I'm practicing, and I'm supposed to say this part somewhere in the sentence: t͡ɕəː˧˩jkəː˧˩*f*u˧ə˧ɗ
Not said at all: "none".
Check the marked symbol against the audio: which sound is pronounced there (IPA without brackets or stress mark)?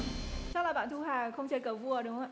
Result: v